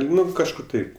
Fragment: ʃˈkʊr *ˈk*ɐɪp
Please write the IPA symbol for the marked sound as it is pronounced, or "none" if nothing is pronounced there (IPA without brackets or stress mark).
t